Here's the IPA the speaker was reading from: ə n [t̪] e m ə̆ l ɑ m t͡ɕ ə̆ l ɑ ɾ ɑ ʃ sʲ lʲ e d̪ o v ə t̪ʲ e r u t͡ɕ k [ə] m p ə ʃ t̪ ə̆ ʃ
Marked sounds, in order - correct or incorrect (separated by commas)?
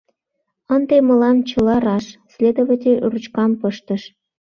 incorrect, incorrect